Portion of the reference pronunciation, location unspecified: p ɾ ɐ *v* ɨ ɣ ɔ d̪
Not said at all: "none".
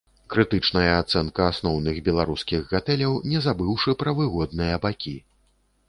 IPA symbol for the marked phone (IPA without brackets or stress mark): v